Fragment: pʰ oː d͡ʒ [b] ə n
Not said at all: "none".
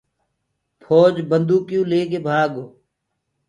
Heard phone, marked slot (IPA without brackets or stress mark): b